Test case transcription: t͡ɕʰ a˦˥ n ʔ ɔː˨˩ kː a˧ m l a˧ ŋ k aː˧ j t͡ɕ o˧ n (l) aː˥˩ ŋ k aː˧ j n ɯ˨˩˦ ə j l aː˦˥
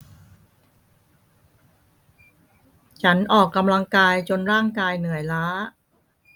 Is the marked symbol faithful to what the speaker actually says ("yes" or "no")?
no